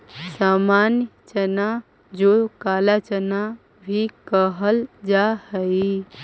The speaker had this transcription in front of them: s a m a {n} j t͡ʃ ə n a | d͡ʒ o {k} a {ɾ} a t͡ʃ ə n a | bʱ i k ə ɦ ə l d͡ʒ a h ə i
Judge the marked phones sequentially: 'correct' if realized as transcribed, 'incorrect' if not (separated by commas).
correct, correct, incorrect